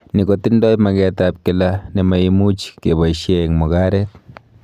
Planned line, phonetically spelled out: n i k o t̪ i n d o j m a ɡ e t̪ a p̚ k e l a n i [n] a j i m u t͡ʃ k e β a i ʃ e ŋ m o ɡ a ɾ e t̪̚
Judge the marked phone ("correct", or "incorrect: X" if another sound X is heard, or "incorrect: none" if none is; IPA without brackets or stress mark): incorrect: m